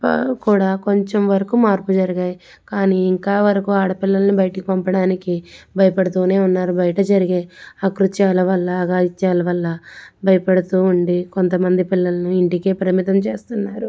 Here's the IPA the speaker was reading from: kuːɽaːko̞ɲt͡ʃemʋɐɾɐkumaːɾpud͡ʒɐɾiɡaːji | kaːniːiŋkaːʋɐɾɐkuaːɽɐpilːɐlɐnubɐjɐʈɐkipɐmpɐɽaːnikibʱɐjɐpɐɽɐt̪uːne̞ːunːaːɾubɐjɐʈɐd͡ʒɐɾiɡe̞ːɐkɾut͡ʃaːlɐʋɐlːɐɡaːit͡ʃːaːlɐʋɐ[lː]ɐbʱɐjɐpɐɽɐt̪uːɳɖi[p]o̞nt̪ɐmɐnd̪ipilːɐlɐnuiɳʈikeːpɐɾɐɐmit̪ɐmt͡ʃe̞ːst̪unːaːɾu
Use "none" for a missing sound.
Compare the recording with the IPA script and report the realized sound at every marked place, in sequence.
lː, k

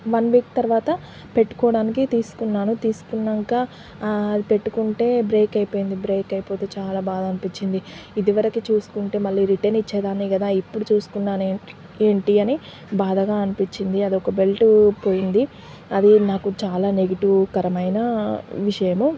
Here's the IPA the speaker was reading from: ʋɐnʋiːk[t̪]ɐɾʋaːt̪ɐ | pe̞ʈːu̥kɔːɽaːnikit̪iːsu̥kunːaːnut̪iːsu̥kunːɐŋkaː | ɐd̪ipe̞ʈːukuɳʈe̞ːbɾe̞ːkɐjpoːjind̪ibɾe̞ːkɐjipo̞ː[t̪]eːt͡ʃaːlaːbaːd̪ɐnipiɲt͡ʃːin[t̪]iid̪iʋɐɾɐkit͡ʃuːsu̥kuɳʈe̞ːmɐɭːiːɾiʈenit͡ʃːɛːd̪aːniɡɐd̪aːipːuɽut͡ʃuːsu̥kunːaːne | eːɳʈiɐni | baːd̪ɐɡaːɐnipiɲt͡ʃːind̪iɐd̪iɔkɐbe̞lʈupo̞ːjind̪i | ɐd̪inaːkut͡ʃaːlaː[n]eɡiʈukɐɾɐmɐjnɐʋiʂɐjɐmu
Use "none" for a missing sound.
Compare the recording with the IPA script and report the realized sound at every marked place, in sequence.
t̪, t̪, d̪, n

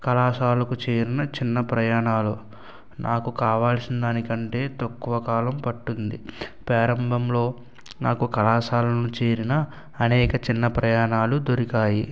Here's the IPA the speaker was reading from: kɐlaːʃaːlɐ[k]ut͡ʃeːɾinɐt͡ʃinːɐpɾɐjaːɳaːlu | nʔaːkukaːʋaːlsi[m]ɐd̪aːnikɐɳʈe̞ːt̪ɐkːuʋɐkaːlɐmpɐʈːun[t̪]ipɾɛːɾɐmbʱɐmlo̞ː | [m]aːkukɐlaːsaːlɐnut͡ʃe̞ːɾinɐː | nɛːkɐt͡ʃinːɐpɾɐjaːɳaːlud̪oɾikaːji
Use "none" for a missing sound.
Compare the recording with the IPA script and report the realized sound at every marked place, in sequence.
k, n, d̪, n

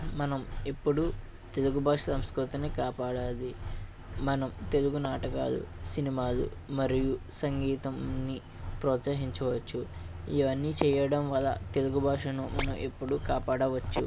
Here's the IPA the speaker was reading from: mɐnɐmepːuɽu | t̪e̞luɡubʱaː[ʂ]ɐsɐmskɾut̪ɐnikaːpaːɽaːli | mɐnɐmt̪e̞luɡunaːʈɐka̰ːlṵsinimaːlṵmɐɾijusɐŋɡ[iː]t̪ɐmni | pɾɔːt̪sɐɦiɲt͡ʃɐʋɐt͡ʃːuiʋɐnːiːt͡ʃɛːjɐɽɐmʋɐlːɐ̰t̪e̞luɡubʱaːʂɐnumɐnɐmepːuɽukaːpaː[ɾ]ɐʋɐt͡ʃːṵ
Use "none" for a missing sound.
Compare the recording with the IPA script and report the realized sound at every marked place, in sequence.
ʂ, iː, ɽ

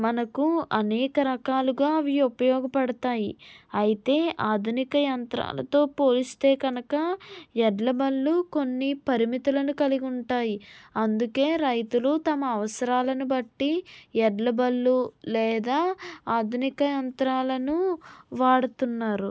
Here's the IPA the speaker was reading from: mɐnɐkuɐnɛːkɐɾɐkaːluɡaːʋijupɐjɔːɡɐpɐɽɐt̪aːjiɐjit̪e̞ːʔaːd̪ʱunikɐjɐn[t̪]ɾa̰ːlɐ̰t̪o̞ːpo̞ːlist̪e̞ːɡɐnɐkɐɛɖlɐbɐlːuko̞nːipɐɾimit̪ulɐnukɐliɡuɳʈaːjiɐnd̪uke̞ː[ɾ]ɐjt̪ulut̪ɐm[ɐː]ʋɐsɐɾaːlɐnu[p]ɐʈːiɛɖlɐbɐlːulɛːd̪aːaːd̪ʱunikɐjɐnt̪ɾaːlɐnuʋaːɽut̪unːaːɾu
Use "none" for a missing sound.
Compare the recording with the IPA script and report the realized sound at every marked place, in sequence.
t̪, ɾ, ɐː, b

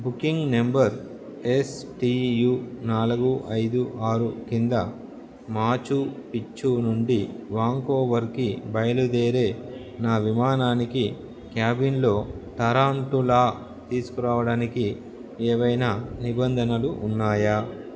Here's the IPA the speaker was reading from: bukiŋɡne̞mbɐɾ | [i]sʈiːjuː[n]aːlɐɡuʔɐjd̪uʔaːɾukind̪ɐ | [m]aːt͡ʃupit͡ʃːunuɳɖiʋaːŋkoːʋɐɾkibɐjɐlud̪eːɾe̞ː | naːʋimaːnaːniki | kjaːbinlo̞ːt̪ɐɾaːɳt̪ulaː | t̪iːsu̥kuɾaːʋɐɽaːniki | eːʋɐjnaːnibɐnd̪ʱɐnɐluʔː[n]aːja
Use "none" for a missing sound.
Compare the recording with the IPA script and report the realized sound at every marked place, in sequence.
e, n, m, nː

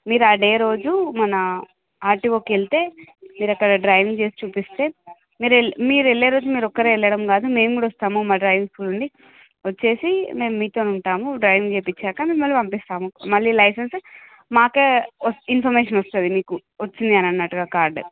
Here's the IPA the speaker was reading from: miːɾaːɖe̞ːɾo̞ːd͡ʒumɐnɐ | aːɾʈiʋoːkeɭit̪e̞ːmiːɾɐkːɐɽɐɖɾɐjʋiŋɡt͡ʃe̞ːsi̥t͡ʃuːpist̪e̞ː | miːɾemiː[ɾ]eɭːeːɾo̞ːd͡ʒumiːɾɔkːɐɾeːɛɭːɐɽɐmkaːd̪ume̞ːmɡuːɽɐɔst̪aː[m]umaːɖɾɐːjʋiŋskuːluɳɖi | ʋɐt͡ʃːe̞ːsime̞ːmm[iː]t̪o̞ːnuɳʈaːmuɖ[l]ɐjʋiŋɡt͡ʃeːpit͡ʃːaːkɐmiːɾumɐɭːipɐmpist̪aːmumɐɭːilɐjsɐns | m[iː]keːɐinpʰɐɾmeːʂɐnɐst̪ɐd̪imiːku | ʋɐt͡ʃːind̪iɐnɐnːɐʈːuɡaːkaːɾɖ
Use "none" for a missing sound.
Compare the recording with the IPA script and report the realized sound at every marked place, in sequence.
ɾ, m, iː, ɾ, aː

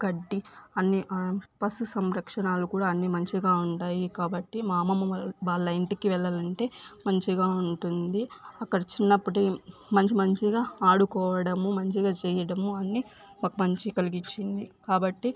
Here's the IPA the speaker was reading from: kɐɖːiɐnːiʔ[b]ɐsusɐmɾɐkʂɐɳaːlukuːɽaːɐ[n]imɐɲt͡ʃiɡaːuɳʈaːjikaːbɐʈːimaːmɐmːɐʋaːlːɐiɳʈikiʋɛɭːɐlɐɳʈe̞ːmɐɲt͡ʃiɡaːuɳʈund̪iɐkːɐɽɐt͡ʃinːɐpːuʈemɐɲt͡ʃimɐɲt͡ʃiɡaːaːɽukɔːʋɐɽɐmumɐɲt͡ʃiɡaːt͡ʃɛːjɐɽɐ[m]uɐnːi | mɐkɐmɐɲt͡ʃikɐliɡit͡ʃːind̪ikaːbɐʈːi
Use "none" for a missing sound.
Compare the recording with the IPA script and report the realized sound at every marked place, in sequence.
p, nː, m

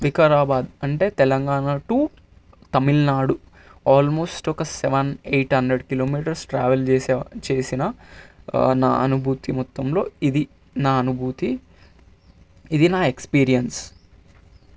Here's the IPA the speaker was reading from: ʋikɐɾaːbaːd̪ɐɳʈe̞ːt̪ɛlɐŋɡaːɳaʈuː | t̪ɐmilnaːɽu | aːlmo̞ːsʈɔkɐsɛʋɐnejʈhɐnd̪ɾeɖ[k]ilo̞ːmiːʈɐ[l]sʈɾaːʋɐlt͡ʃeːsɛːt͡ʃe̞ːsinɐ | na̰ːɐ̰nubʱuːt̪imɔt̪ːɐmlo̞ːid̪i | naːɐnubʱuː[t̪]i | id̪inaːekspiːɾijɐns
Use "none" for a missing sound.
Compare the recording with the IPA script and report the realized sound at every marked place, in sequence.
k, ɾ, t̪

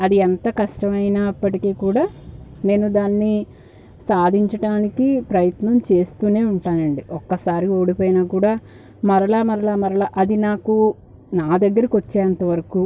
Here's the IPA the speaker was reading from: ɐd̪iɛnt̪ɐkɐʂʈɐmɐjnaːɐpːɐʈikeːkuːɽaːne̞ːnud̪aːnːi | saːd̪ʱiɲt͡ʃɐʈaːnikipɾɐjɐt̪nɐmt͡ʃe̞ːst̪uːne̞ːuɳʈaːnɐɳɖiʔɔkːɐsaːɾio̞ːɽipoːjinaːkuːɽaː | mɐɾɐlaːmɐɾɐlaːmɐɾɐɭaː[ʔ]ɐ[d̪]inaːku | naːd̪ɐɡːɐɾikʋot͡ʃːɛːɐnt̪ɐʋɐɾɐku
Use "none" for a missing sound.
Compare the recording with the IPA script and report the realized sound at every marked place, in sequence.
ʔ, d̪

